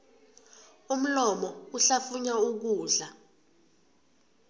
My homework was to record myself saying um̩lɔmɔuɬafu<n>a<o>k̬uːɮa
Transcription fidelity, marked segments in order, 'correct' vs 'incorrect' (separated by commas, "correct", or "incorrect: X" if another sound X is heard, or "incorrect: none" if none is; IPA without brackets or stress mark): incorrect: ɲ, incorrect: u